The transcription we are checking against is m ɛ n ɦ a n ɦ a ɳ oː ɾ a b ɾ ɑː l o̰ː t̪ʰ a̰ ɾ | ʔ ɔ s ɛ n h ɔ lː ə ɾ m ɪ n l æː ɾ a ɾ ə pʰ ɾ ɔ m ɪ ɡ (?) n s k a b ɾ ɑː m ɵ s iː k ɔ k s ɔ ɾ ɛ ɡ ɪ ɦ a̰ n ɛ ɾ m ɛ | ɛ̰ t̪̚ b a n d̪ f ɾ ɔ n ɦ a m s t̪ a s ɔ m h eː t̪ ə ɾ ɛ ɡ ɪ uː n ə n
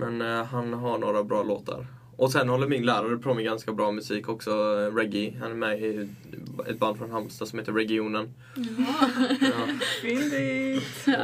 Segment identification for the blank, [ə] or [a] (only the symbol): a